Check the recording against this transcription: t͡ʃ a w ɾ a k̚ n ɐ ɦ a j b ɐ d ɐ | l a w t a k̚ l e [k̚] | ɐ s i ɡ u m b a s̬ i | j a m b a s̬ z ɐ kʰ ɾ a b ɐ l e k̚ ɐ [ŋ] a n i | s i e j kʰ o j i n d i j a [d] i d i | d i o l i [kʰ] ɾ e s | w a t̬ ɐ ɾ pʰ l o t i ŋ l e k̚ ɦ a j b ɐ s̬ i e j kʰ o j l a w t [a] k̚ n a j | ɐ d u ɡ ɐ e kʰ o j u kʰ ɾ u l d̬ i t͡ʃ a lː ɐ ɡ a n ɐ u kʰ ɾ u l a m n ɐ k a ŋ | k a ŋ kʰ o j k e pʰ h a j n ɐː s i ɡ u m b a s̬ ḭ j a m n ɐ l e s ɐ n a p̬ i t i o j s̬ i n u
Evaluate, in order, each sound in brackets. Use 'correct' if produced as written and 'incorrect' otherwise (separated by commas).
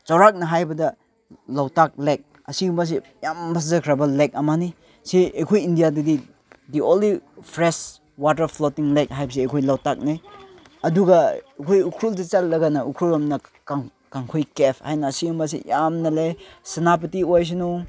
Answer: correct, incorrect, correct, incorrect, correct